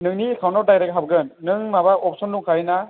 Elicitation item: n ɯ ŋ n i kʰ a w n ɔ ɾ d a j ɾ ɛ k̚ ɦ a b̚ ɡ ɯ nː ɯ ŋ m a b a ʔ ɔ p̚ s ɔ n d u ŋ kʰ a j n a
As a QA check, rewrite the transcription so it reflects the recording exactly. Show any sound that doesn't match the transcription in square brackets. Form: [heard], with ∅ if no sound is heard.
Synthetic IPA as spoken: n ɯ ŋ n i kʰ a w n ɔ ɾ d a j ɾ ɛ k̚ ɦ a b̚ ɡ ɯ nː ɯ ŋ m a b a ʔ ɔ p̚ s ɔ n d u ŋ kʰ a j n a